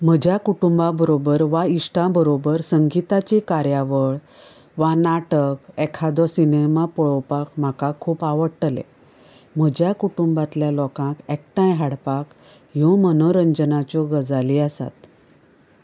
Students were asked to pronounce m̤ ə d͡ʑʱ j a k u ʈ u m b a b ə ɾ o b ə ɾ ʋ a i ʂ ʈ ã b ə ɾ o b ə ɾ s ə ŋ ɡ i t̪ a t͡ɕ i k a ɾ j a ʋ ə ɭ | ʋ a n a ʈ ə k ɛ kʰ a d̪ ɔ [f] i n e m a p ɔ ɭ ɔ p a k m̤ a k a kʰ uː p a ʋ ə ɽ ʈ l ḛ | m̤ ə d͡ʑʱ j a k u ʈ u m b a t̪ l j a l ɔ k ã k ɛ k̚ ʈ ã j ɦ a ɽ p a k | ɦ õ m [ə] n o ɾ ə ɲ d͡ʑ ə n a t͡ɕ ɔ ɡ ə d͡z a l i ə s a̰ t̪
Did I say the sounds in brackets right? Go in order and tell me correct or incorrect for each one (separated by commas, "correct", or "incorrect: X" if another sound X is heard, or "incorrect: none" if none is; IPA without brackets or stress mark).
incorrect: s, correct